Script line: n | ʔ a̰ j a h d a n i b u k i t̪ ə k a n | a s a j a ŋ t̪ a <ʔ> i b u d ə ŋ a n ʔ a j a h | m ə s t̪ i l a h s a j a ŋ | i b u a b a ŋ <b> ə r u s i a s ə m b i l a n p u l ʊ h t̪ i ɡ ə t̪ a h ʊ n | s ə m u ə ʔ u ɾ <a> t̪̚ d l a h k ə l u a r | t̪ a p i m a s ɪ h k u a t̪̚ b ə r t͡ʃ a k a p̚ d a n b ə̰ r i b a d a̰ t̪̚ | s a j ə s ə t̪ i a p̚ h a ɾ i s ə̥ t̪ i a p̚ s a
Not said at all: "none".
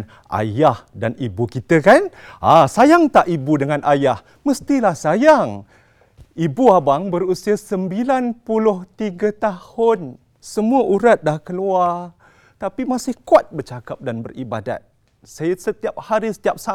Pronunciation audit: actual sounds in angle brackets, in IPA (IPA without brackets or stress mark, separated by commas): ʔ, b, a